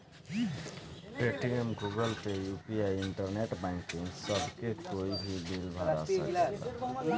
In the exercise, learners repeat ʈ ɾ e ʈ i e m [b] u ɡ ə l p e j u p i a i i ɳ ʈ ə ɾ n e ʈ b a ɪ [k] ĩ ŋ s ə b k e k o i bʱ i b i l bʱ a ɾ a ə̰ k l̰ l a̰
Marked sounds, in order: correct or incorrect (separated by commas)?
incorrect, correct